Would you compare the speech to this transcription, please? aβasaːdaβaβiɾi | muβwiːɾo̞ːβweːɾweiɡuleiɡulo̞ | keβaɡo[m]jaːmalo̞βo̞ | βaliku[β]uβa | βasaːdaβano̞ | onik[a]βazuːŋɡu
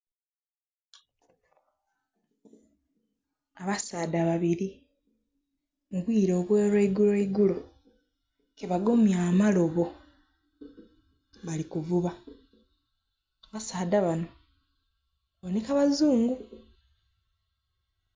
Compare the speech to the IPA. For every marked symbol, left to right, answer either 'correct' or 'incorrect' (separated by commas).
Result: correct, incorrect, correct